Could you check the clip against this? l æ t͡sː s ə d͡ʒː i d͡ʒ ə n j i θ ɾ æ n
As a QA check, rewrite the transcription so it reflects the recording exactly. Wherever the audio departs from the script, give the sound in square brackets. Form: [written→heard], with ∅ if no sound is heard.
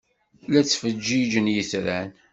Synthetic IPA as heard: l æ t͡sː [s→f] ə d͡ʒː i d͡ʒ ə n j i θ ɾ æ n